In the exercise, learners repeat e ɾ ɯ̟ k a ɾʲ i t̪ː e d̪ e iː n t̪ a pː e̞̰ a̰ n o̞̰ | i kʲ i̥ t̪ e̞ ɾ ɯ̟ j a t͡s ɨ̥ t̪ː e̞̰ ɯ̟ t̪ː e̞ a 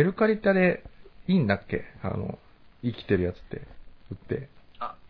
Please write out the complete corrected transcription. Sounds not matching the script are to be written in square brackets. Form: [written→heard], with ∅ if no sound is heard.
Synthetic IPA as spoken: e ɾ ɯ̟ k a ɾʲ i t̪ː [e→a] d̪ e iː n [t̪→d̪] a [pː→kː] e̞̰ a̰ n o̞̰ | i kʲ i̥ t̪ e̞ ɾ ɯ̟ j a t͡s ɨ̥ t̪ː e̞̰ ɯ̟ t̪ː e̞ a